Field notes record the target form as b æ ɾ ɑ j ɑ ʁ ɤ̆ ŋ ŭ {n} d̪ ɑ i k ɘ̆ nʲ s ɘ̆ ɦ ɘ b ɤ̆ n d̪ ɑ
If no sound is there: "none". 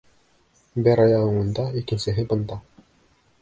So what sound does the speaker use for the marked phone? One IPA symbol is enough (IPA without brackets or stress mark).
n